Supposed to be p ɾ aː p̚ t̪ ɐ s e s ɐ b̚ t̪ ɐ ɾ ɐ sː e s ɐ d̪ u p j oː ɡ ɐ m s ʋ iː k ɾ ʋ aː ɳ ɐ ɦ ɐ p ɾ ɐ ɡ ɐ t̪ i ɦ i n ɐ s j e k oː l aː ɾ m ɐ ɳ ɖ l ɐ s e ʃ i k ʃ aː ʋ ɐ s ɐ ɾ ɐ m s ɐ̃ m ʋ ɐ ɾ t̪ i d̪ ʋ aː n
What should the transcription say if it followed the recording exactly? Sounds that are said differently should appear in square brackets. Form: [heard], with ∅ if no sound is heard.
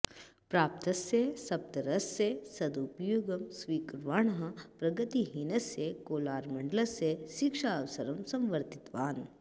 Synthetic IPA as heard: p ɾ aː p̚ t̪ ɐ s e s ɐ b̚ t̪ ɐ ɾ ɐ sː e s ɐ d̪ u p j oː ɡ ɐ m s ʋ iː k ɾ ʋ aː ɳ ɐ ɦ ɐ p ɾ ɐ ɡ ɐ t̪ i ɦ i n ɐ s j e k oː l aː ɾ m ɐ ɳ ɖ l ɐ s e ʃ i k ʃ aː ʋ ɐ s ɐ ɾ ɐ m s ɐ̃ m ʋ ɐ ɾ t̪ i [t̪] ʋ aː n